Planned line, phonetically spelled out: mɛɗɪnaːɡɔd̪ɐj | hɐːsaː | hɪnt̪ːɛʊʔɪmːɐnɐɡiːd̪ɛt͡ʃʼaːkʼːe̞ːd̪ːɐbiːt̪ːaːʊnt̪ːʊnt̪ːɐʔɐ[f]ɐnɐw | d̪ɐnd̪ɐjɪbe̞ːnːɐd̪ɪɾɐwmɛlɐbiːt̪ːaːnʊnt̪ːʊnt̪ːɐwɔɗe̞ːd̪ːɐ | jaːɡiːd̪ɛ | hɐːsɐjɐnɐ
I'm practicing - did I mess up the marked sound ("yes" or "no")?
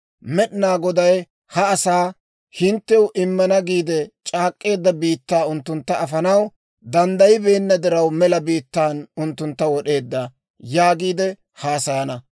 no